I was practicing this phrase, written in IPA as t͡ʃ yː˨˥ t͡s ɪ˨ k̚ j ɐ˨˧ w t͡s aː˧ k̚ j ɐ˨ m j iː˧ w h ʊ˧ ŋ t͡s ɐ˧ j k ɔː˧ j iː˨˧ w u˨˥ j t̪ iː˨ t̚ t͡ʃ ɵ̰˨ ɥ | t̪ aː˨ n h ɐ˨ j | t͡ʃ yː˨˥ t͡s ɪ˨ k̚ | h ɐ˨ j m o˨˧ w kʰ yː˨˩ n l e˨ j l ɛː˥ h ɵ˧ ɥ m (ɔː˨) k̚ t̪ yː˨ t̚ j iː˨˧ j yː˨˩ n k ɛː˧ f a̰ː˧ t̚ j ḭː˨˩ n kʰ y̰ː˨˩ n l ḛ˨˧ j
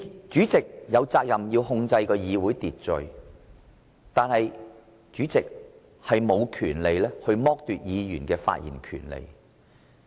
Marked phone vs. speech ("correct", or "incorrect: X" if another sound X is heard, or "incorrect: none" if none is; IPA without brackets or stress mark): incorrect: ɔː˥